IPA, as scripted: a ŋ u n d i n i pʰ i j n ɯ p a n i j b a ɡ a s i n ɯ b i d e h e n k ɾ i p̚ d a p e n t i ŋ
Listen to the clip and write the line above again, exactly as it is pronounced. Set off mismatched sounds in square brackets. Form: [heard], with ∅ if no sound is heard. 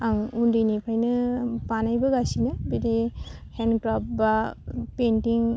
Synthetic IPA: a ŋ u n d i n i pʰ [a] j n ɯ p a n [a] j b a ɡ a s i n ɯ b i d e h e n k ɾ [a] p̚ [b] a p e n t i ŋ